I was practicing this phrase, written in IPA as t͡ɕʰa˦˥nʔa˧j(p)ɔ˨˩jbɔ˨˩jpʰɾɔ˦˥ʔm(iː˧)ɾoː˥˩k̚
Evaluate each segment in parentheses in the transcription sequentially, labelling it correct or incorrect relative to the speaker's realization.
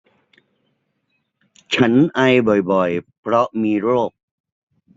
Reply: incorrect: b, correct

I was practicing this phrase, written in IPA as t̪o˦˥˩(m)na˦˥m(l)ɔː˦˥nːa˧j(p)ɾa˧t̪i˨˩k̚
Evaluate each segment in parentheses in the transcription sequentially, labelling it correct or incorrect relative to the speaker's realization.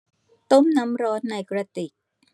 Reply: correct, incorrect: ɾ, incorrect: k

